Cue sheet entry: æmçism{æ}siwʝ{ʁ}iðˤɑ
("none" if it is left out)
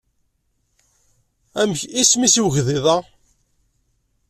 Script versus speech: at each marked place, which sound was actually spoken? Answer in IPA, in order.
i, ð

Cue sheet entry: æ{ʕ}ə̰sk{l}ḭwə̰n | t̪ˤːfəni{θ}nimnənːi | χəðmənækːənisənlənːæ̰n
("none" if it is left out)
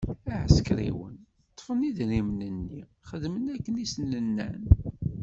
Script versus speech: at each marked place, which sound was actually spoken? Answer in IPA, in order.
ʕ, ɾ, ð

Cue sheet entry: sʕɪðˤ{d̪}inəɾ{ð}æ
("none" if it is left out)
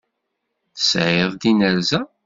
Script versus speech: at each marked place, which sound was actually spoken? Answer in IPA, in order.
d̪, z

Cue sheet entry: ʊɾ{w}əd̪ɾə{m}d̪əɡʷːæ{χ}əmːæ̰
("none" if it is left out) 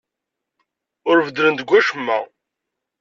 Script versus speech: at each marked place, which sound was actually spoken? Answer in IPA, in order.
v, n, ʃ

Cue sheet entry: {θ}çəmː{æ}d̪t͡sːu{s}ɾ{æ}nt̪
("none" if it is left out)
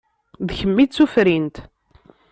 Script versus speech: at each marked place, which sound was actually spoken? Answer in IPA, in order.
ð, i, f, i

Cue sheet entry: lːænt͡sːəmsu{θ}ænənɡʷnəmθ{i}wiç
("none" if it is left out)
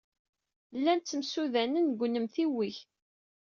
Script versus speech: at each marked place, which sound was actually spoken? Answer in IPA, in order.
ð, i

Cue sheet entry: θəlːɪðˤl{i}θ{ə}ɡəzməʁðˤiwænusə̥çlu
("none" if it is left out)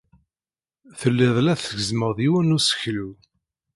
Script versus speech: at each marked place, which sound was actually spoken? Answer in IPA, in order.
æ, ə

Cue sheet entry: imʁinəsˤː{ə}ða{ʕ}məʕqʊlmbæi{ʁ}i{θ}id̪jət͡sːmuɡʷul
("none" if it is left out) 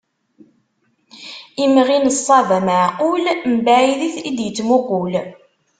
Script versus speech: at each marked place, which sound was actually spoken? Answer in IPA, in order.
ɑ, none, ð, θ

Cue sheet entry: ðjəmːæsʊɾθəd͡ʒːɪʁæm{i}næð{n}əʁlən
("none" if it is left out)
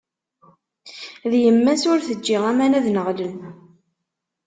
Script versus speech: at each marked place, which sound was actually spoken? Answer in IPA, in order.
æ, n

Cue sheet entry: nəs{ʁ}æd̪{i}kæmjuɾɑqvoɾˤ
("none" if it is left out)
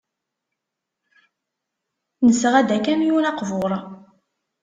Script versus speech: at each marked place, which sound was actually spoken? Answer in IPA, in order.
ʁ, æ

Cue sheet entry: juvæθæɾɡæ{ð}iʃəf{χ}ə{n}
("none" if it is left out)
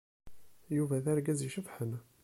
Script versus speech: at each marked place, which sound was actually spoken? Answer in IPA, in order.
z, ħ, n

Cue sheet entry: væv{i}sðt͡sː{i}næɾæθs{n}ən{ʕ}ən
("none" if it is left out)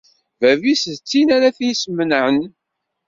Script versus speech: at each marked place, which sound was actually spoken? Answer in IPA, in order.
i, i, m, ʕ

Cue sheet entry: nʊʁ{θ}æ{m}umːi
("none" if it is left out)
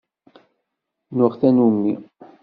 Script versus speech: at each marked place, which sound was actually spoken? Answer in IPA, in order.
θ, n

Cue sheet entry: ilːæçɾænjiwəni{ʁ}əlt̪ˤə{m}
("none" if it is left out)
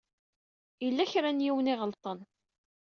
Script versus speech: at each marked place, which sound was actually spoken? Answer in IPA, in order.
ʁ, n

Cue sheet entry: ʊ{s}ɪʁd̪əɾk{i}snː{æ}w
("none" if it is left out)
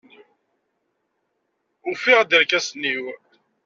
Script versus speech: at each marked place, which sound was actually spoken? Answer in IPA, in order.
f, æ, i

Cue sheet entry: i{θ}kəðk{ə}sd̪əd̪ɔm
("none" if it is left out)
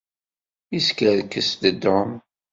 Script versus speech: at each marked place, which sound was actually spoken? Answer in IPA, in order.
s, ə

